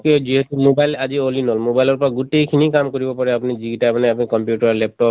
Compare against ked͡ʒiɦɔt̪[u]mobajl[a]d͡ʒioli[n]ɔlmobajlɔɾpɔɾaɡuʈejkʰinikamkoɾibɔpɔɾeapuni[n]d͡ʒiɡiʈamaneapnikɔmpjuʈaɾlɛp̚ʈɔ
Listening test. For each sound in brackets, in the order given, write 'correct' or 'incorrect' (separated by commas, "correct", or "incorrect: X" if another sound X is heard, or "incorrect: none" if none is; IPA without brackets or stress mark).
correct, correct, correct, incorrect: none